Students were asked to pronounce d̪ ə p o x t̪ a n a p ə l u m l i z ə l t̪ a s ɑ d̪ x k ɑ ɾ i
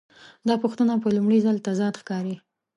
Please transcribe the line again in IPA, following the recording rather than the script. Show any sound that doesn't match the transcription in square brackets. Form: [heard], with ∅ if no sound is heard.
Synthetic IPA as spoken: d̪ [ɑ] p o x t̪ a n a p ə l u m [ɽ] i z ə l t̪ a [z] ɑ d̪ x k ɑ ɾ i